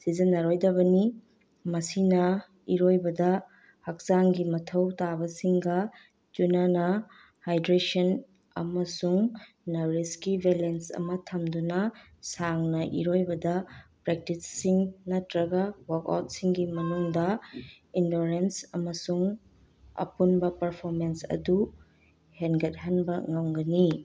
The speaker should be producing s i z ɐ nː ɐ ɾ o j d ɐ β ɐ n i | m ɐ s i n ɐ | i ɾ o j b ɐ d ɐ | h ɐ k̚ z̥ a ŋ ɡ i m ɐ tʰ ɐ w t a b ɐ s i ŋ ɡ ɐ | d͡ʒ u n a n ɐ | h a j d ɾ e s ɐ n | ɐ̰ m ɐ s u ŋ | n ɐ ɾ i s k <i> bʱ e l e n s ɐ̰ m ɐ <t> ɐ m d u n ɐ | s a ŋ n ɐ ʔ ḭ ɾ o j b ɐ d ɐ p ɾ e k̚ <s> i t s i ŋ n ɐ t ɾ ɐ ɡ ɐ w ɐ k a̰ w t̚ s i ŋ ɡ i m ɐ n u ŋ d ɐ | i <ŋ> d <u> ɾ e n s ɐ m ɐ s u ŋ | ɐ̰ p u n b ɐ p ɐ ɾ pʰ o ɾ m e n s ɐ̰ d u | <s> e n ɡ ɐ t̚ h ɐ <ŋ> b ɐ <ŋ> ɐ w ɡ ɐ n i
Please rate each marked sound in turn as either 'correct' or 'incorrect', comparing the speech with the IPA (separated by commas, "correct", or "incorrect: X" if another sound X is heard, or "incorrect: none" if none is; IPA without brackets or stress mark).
correct, incorrect: tʰ, incorrect: t, incorrect: n, incorrect: o, incorrect: h, incorrect: n, correct